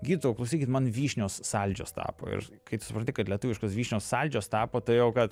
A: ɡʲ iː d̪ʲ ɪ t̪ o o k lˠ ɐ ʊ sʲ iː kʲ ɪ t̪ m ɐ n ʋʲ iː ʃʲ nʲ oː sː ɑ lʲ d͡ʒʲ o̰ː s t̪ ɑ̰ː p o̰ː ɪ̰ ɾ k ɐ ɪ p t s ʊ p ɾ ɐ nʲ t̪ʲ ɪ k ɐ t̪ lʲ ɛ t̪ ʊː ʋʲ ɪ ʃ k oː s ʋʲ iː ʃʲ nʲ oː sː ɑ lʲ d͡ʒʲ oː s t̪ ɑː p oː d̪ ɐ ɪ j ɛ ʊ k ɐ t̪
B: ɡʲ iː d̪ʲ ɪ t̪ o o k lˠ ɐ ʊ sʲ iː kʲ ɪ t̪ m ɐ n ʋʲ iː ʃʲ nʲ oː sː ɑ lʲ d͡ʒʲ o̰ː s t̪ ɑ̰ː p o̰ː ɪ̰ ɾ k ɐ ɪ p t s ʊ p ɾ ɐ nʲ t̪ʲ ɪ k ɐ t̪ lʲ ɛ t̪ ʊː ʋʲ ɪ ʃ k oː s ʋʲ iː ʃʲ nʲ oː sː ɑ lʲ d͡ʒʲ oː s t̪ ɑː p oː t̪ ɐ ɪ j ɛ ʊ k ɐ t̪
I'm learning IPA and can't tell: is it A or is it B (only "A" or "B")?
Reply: B